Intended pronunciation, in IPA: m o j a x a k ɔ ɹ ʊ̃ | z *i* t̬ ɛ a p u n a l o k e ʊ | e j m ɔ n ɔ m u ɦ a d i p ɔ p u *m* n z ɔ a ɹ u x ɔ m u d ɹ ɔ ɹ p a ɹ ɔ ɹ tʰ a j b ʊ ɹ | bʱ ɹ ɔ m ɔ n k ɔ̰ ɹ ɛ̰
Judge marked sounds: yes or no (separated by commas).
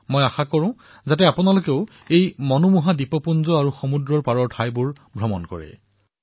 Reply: no, no